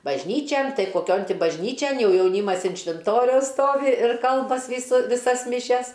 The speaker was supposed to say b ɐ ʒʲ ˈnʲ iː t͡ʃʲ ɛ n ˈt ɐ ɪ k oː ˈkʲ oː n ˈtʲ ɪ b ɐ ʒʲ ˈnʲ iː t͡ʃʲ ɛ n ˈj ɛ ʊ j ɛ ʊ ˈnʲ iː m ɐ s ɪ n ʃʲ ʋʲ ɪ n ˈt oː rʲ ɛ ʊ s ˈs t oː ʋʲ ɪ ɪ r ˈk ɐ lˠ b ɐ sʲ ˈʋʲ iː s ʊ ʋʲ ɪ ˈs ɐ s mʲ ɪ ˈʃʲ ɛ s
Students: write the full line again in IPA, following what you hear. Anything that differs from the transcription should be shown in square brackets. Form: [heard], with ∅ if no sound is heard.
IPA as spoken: b ɐ ʒʲ ˈnʲ iː t͡ʃʲ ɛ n ˈt ɐ ɪ k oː ˈkʲ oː n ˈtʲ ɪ b ɐ ʒʲ ˈnʲ iː t͡ʃʲ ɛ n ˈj ɛ ʊ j ɛ ʊ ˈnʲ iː m ɐ s ɪ n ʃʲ ʋʲ ɪ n ˈt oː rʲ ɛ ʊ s ˈs t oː ʋʲ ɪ ɪ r ˈk ɐ lˠ b ɐ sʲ ˈʋʲ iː s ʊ ʋʲ ɪ ˈs ɐ s mʲ ɪ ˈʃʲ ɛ s